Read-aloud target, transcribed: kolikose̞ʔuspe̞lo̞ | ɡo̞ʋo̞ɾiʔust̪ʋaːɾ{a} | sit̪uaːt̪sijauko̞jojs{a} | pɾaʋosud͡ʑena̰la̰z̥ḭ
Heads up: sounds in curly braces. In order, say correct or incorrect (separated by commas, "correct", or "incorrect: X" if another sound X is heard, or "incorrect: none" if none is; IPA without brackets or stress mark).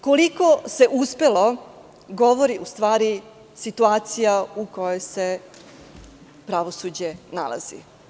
incorrect: i, incorrect: e